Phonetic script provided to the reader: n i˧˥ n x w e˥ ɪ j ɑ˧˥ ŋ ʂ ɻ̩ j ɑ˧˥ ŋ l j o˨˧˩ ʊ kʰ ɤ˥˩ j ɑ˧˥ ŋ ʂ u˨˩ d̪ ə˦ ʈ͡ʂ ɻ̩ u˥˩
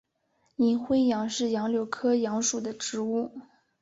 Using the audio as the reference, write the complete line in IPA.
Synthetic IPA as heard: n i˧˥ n x w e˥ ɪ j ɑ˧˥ ŋ ʂ ɻ̩ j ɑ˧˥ ŋ l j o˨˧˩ ʊ kʰ ɤ˥ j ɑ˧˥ ŋ ʂ u˨˩ d̪ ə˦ ʈ͡ʂ ɻ̩ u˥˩